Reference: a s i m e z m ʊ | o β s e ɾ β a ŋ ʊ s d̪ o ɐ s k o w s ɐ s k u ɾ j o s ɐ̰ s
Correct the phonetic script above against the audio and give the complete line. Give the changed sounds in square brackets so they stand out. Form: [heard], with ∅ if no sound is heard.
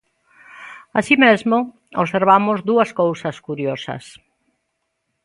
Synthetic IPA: a s i m e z m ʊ | o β s e ɾ β a [m] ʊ [z] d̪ [u] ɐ s k o w s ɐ s k u ɾ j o s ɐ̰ s